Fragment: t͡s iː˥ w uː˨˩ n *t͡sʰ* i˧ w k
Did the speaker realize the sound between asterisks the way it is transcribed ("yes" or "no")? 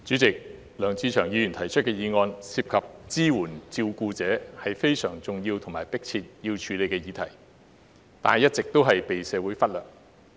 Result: no